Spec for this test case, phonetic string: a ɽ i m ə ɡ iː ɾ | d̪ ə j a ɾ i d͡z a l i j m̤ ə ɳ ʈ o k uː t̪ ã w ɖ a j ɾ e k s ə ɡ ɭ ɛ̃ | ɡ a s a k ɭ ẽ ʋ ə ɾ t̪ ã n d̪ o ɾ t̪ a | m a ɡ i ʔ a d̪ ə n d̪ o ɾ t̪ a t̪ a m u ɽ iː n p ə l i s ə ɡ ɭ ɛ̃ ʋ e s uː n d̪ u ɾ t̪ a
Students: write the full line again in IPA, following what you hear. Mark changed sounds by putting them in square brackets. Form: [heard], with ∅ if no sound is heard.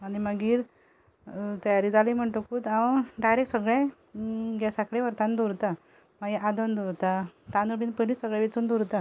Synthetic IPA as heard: a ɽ i m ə ɡ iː ɾ | [t̪] ə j a ɾ i d͡z a l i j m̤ ə ɳ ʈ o k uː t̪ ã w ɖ a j ɾ e k s ə ɡ ɭ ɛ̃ | ɡ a s a k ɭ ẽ ʋ ə ɾ t̪ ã n d̪ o ɾ t̪ a | m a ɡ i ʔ a d̪ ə n d̪ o ɾ t̪ a t̪ a [n] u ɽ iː n p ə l i s ə ɡ ɭ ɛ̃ ʋ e [t͡s] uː n d̪ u ɾ t̪ a

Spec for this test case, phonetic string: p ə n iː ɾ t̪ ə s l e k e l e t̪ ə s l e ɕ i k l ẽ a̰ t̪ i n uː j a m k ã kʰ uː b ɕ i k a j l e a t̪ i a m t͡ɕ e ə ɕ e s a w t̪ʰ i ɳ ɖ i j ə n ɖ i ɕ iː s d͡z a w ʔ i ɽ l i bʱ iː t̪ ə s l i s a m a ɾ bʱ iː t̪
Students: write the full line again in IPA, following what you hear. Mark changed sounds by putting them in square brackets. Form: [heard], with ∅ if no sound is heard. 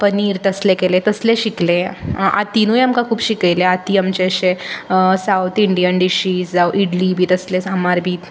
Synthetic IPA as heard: p ə n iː ɾ t̪ ə s l e k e l e t̪ ə s l e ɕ i k l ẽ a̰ t̪ i n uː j a m k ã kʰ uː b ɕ i k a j l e a t̪ i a m t͡ɕ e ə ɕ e s a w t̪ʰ i ɳ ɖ i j ə n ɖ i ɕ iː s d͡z a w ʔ i ɽ l i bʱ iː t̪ ə s l [e] s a m a ɾ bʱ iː t̪

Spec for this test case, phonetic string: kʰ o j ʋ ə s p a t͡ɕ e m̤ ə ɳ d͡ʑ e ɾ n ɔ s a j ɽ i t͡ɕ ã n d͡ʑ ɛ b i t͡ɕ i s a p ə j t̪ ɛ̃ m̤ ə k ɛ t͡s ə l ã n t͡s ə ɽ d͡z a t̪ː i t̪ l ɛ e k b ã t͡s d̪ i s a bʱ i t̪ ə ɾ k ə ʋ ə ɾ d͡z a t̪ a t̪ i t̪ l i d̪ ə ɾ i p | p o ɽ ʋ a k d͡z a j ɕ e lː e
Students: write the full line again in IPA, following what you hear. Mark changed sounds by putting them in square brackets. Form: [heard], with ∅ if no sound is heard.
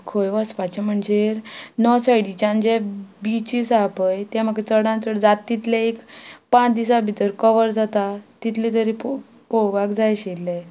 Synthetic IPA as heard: kʰ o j ʋ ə s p a t͡ɕ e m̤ ə ɳ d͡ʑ e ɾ n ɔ s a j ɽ i t͡ɕ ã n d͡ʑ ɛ b i t͡ɕ i s a p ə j t̪ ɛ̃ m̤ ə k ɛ t͡s ə [ɽ] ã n t͡s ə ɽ d͡z a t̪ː i t̪ l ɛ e k [p] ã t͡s d̪ i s a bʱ i t̪ ə ɾ k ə ʋ ə ɾ d͡z a t̪ a t̪ i t̪ l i [t̪] ə ɾ i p | p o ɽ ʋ a k d͡z a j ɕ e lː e

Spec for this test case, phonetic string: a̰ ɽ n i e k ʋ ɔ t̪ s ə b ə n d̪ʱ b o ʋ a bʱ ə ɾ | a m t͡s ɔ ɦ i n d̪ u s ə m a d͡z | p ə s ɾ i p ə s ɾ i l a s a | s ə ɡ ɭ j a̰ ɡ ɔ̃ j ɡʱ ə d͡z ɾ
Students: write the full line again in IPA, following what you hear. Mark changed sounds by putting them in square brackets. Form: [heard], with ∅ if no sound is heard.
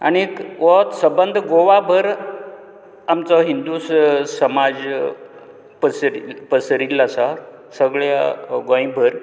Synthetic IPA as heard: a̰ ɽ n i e k ʋ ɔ t̪ s ə b ə n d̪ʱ [ɡ] o ʋ a bʱ ə ɾ | a m t͡s ɔ ɦ i n d̪ u s ə m a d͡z | p ə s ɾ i p ə s ɾ i l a s a | s ə ɡ ɭ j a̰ ɡ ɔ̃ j [bʱ] ə [∅] ɾ

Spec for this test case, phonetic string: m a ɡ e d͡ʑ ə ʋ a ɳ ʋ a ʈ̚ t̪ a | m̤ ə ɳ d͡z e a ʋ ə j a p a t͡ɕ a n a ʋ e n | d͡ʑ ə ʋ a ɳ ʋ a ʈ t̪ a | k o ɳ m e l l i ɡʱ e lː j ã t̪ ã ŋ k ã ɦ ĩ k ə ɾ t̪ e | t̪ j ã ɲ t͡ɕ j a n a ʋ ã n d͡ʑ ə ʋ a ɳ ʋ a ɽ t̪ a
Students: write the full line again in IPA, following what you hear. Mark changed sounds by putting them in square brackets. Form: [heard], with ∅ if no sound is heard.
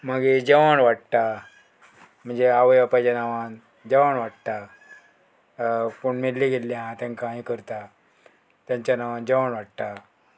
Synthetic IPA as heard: m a ɡ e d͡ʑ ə ʋ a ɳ ʋ a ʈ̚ t̪ a | m̤ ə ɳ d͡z e a ʋ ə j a p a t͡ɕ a n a ʋ [a] n | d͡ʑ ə ʋ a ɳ ʋ a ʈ t̪ a | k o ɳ m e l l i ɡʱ e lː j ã t̪ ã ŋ k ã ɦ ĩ k ə ɾ t̪ [a] | t̪ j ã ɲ t͡ɕ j a n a ʋ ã n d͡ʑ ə ʋ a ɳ ʋ a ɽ t̪ a

